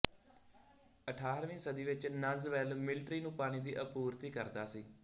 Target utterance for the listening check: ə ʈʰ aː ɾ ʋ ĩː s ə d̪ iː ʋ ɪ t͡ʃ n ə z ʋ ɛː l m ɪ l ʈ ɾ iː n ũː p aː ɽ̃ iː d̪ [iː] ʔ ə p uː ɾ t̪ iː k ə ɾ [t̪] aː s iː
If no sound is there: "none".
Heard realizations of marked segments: iː, d̪

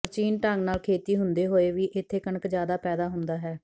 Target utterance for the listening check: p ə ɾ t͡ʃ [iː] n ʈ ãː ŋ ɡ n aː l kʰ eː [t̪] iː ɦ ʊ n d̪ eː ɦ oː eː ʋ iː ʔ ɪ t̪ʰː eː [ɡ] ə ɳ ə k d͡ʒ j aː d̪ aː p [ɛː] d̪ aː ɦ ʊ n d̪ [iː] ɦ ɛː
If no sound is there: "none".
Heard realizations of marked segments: iː, t̪, k, ɛː, aː

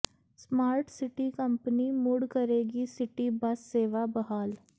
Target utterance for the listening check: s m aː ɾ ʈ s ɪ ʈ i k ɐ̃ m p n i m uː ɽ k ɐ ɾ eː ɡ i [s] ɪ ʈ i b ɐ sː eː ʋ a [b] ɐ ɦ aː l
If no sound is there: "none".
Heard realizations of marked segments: s, b

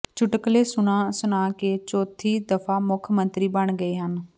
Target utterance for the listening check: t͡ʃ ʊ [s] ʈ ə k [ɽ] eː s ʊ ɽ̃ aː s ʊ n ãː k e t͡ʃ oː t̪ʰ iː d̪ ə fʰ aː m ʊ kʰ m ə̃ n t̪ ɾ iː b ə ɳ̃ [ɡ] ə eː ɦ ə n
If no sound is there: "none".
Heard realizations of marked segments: none, l, ɡ

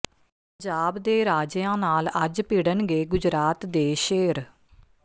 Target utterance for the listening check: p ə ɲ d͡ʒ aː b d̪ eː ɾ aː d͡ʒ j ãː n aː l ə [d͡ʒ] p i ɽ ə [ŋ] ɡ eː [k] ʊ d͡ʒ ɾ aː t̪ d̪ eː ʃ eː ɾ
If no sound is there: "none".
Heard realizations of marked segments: d͡ʒ, n, ɡ

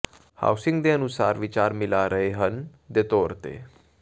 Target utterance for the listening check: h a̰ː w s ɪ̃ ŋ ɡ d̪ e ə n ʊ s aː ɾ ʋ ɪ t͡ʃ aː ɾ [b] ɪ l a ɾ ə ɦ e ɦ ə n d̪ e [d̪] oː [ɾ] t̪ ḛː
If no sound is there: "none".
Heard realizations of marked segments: m, t̪, ɾ

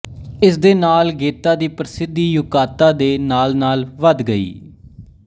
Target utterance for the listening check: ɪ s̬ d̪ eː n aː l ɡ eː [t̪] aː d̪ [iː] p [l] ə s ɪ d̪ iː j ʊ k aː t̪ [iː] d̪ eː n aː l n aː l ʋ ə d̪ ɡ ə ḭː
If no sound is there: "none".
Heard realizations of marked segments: t̪, iː, ɾ, aː

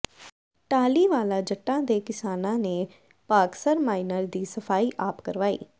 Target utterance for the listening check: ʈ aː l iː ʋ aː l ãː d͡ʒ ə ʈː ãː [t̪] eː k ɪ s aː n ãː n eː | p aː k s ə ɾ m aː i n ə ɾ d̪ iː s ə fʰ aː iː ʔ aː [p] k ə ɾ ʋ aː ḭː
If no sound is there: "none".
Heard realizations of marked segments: d̪, p

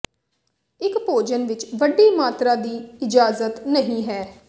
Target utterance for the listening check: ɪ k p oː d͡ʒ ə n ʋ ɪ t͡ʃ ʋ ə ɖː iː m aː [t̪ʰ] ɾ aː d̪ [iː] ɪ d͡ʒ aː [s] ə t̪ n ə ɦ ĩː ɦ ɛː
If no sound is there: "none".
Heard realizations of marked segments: t̪, iː, z

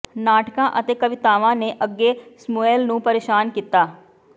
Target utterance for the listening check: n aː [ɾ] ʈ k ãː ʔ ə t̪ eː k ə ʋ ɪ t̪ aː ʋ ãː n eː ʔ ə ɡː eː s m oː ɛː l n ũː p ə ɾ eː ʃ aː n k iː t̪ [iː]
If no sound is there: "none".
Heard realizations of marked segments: none, aː

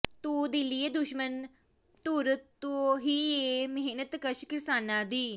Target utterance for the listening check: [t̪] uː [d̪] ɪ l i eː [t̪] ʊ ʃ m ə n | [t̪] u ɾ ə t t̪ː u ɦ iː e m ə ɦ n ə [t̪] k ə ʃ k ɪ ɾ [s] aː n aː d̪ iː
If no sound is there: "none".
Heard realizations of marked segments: t̪, d̪, d̪, t̪, t̪, s

